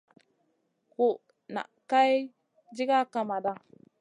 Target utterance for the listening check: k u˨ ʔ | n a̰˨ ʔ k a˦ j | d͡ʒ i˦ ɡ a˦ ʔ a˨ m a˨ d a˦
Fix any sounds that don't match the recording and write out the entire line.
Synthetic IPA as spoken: k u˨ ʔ | n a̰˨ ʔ k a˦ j | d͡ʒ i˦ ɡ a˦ k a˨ m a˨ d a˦